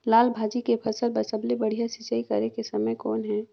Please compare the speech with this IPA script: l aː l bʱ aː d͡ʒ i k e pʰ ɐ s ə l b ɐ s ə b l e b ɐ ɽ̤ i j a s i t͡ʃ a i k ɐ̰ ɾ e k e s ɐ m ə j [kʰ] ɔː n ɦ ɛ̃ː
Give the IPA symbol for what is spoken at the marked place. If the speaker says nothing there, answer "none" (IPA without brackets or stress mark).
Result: k